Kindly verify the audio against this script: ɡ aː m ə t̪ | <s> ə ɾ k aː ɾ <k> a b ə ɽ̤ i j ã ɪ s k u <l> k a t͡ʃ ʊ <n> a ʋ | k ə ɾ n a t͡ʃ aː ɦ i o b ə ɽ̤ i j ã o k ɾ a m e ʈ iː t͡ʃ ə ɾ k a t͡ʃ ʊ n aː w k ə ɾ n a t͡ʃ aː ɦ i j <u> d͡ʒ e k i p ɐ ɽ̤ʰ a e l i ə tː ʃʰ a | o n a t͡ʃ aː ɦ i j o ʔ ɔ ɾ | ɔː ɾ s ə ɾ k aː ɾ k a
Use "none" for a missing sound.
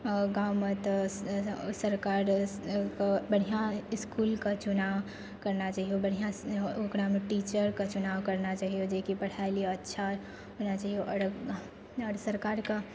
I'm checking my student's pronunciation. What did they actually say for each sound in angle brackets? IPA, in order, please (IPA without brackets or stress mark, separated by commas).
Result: s, k, l, n, o